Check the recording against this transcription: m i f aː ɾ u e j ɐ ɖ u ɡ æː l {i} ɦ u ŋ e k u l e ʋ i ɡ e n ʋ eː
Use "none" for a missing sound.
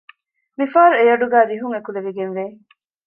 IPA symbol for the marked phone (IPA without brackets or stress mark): i